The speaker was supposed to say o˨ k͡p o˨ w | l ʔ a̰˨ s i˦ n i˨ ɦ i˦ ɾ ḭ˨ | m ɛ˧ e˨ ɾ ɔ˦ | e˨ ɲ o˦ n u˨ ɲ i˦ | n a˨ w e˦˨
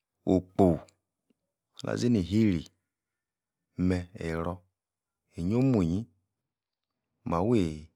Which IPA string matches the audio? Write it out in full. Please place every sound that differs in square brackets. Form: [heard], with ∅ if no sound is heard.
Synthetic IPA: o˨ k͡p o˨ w | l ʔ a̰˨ [z] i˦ n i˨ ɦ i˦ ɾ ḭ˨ | m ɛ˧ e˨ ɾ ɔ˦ | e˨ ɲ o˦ [m] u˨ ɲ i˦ | [m] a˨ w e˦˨